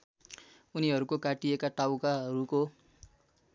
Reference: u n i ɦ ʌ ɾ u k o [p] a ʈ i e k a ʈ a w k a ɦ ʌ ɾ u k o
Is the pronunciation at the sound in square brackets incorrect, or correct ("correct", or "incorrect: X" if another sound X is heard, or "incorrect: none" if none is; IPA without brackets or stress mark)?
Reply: incorrect: k